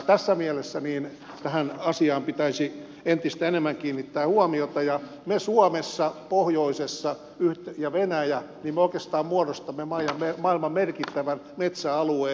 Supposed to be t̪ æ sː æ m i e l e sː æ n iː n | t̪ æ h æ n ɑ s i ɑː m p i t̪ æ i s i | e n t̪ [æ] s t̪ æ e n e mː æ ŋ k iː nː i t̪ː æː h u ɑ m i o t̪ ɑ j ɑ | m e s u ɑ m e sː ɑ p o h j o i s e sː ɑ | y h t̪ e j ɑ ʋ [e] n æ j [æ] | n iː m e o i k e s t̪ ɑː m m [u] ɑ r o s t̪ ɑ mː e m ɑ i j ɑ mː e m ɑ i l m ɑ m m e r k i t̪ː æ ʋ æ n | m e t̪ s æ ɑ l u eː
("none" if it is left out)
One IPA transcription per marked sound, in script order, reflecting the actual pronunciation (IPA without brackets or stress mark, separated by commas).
i, e, æ, u